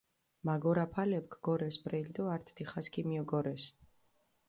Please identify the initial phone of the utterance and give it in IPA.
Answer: m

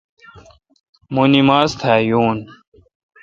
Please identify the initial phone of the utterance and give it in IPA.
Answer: m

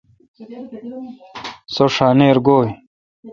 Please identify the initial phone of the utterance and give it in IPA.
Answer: s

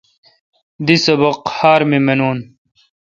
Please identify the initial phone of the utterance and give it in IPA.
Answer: d̪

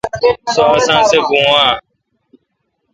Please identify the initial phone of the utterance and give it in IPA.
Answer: s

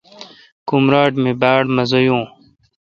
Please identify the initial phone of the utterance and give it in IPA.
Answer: k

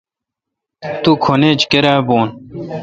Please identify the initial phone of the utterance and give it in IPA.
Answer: t̪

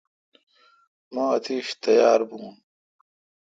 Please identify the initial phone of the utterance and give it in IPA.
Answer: m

